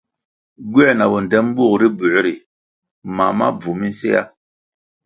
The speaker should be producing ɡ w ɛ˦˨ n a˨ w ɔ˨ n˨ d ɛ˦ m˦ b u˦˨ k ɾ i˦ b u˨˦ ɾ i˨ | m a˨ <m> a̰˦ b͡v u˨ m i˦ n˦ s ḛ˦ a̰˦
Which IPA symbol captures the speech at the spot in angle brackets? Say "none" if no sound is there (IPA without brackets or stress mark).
m